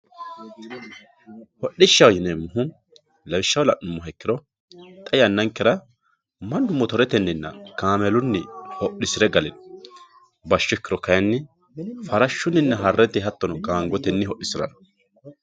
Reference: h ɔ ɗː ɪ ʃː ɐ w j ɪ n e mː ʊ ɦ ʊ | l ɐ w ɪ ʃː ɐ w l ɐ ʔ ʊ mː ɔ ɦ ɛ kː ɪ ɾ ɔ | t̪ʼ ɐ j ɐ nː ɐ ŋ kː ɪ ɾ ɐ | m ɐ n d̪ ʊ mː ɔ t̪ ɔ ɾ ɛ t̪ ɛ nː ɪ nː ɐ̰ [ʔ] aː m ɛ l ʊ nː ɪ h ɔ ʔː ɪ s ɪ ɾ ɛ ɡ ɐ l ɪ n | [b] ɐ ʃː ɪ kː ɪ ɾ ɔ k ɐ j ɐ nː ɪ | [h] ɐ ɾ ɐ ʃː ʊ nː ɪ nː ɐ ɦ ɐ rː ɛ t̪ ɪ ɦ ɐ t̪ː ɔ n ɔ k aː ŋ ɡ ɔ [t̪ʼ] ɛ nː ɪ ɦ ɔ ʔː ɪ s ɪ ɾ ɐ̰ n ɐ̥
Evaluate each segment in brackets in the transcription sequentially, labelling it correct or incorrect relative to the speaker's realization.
incorrect, correct, incorrect, incorrect

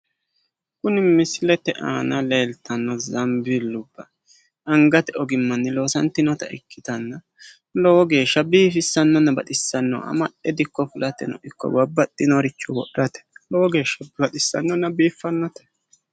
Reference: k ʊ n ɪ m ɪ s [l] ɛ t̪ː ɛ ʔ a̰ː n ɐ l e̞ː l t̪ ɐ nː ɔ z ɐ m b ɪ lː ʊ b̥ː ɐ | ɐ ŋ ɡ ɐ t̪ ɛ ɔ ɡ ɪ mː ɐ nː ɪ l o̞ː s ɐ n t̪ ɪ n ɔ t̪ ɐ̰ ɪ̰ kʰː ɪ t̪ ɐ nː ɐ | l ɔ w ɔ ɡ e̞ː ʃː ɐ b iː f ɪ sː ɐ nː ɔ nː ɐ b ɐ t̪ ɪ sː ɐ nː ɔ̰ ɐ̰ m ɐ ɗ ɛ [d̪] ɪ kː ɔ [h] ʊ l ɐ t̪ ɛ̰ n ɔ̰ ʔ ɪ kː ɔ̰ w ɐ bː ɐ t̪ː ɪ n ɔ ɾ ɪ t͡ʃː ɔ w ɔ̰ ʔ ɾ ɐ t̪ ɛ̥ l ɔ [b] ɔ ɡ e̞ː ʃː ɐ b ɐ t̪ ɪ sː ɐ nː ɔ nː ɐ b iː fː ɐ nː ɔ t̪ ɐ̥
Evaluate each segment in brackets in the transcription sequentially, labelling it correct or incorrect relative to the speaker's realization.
correct, correct, incorrect, incorrect

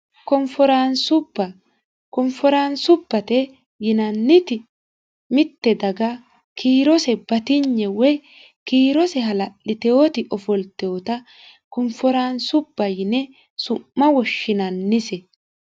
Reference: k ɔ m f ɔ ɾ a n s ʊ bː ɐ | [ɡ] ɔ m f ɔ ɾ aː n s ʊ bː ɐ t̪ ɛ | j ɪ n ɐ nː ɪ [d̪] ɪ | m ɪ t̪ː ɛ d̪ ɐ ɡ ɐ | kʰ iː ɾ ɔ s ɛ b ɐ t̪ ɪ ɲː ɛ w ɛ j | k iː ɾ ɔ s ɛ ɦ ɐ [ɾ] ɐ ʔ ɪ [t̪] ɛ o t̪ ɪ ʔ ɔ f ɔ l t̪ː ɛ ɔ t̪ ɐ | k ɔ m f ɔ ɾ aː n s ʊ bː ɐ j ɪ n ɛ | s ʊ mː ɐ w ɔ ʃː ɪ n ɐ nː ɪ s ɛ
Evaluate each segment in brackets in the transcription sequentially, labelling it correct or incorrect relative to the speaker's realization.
incorrect, incorrect, incorrect, correct

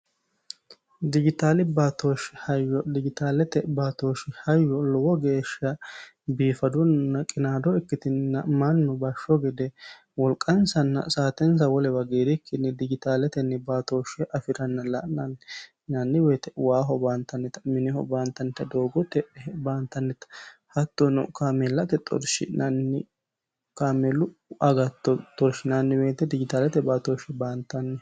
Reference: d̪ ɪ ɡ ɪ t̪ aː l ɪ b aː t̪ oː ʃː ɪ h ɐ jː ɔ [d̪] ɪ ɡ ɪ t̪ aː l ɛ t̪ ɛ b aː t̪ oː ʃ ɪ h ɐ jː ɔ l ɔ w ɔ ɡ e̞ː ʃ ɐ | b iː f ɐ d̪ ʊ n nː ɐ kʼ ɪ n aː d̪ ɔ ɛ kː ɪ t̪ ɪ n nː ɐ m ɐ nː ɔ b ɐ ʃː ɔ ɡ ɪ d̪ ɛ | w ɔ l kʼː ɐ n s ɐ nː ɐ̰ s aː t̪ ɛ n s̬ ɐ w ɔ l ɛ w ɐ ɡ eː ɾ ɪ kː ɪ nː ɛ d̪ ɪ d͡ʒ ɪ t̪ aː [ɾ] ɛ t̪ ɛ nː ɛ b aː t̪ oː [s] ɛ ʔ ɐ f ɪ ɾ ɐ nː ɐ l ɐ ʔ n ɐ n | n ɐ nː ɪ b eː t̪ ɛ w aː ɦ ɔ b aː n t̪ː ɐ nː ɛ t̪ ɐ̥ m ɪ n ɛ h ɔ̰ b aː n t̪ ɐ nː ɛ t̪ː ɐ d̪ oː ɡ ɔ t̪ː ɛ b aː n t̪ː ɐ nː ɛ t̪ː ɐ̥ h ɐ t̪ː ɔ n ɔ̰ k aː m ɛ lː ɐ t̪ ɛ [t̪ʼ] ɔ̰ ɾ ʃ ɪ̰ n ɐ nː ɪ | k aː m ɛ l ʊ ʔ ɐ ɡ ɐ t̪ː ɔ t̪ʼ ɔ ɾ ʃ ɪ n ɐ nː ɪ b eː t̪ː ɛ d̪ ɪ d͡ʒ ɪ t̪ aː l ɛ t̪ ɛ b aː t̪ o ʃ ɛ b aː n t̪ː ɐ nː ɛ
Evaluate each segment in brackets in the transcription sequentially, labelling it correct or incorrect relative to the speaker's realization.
correct, incorrect, incorrect, correct

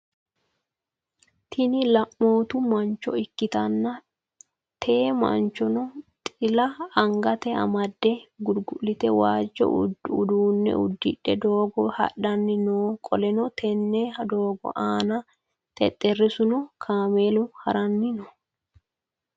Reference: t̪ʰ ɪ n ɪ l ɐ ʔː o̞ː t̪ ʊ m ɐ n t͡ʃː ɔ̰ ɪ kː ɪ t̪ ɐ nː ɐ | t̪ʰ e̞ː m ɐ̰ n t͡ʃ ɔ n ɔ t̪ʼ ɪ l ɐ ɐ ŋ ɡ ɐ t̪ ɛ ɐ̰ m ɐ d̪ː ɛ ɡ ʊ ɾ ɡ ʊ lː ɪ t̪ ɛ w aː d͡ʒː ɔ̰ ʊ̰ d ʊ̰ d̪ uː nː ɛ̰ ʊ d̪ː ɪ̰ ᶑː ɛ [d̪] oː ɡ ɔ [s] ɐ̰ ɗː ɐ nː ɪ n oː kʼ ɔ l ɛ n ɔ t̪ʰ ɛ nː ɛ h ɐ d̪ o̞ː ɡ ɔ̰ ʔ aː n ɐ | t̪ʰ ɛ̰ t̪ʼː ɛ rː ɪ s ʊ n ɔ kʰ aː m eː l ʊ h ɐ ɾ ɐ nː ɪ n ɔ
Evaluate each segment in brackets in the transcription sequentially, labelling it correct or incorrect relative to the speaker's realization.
correct, incorrect

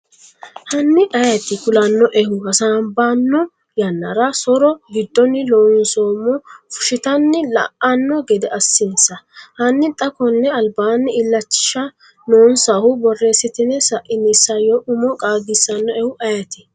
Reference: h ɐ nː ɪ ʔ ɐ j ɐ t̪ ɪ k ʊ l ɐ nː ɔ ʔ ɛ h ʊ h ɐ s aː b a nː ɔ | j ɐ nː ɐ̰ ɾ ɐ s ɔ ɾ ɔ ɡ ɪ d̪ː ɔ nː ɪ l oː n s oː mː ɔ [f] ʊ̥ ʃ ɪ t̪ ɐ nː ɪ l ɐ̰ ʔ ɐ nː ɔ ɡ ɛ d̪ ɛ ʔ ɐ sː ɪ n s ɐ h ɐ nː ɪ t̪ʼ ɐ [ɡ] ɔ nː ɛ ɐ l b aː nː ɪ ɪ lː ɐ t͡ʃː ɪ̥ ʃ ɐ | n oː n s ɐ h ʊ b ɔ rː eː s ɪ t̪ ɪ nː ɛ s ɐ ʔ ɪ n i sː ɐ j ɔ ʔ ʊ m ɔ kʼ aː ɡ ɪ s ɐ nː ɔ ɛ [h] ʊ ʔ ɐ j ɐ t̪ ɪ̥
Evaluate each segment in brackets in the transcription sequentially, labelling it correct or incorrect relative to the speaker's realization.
correct, incorrect, correct

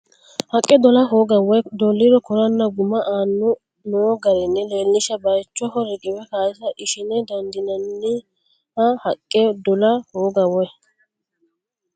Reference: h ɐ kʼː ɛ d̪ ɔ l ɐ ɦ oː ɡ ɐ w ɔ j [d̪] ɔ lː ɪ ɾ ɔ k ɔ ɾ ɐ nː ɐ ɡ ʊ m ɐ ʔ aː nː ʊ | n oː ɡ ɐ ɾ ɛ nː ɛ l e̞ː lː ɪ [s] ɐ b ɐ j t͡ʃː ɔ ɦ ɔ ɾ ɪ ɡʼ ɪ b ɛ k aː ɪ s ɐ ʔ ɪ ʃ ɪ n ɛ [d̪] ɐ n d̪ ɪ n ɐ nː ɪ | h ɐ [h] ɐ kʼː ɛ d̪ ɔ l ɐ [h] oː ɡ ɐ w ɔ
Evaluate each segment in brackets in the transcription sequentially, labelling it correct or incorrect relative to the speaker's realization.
correct, incorrect, correct, correct, correct

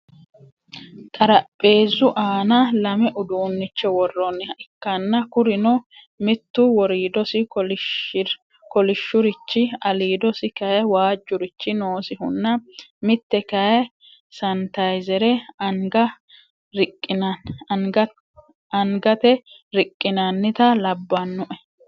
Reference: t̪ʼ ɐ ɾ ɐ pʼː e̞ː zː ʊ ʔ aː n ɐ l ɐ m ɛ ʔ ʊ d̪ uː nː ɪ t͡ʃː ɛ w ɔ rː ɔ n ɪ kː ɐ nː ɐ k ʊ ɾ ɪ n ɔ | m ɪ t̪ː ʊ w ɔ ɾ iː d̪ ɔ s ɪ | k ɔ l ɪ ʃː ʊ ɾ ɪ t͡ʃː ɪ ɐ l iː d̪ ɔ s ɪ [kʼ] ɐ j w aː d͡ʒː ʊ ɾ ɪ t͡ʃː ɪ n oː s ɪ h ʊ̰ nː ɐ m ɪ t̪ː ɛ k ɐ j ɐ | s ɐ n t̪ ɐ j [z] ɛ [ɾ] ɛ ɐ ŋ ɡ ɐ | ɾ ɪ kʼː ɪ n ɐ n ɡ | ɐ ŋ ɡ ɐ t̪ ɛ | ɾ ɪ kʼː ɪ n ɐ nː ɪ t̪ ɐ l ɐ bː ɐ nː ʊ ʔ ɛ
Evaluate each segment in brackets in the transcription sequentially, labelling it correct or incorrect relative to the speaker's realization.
incorrect, correct, correct

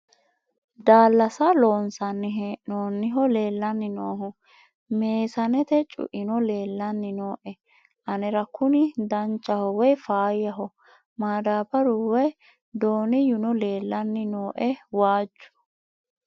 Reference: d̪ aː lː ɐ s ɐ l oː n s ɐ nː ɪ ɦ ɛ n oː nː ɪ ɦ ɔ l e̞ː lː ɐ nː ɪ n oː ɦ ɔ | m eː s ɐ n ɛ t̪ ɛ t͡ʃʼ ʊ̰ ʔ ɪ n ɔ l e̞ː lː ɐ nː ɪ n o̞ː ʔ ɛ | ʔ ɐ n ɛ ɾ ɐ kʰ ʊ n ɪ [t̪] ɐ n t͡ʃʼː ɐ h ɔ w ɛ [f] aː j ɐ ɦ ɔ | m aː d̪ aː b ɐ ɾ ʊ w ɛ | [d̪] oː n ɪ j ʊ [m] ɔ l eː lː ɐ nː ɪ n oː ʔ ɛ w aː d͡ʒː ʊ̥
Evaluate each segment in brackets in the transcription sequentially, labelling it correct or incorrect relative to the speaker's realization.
incorrect, correct, correct, incorrect

